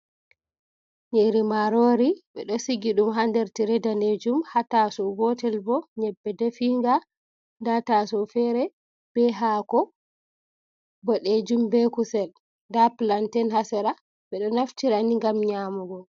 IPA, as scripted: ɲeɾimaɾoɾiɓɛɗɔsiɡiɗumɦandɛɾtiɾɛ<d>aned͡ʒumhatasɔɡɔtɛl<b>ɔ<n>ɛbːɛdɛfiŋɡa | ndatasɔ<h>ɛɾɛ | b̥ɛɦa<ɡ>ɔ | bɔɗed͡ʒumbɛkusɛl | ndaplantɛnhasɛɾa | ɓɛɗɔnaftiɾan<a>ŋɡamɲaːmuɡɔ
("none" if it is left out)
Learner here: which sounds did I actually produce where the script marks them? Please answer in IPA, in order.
d, b, ɲ, f, k, i

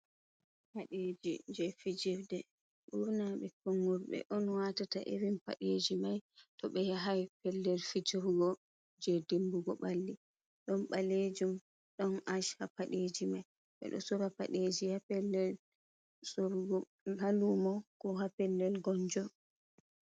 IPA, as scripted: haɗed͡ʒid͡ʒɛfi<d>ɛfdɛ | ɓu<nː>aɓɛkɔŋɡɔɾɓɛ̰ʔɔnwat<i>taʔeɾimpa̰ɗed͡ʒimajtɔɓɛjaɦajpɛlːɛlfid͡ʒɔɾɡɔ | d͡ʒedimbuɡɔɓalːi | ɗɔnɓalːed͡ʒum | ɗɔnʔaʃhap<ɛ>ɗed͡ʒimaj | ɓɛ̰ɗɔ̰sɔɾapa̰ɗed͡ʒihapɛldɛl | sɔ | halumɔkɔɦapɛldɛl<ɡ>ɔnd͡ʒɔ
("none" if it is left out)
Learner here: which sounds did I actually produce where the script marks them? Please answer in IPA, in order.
d͡ʒ, n, a, a, ɡ

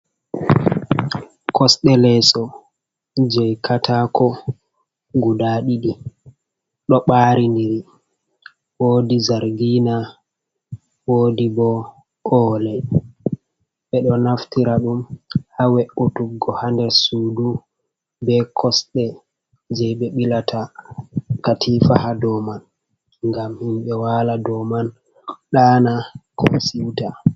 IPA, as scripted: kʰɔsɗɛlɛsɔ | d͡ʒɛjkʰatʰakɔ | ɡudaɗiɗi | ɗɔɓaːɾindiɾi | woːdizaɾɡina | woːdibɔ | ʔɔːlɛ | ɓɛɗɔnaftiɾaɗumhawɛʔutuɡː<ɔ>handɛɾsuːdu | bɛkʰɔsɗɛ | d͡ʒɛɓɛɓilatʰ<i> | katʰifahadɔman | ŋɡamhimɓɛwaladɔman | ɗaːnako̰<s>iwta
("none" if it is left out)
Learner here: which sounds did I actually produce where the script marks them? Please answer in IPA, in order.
ɔ, a, s

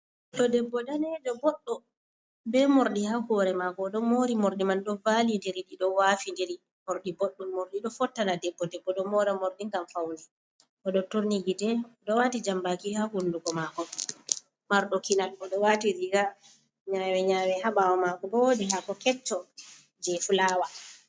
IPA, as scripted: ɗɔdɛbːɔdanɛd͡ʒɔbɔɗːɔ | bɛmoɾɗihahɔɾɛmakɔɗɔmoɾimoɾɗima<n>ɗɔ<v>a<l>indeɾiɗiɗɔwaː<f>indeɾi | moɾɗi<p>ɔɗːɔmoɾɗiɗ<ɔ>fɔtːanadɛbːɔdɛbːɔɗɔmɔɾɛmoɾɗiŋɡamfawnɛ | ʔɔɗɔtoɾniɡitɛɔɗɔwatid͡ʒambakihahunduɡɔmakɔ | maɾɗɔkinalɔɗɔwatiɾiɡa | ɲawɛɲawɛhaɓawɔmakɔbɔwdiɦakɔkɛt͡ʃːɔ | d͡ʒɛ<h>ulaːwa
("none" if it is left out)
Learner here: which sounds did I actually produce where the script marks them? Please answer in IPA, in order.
n, v, l, f, b, ɔ, f

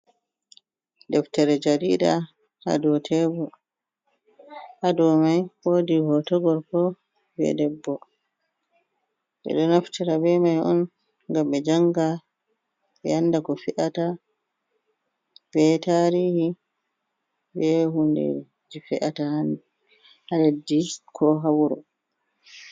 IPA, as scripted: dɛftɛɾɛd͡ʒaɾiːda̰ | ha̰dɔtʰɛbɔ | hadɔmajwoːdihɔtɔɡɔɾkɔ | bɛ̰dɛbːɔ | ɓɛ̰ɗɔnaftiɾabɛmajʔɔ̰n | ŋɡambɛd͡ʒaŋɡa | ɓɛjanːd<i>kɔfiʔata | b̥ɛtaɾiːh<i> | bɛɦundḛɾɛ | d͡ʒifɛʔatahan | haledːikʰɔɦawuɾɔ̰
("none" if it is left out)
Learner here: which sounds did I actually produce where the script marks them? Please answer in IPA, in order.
a, i

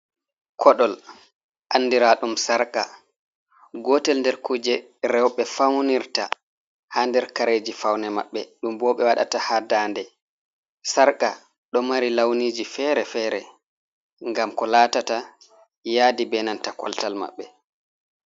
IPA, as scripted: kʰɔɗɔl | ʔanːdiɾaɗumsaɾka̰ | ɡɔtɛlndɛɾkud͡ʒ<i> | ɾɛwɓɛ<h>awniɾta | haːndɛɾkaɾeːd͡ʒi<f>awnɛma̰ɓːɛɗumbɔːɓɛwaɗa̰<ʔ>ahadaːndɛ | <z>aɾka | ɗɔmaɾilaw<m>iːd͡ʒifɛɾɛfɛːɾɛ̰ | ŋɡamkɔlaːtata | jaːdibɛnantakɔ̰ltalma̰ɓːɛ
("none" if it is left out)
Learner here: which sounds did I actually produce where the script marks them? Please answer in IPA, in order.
ɛ, f, f, t, s, n

